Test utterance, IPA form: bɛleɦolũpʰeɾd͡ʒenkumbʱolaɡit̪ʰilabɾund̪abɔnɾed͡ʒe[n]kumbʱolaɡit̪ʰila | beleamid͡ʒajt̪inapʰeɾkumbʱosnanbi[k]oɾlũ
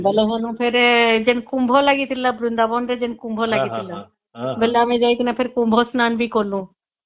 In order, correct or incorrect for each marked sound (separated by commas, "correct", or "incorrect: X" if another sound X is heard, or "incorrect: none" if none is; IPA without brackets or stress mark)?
correct, correct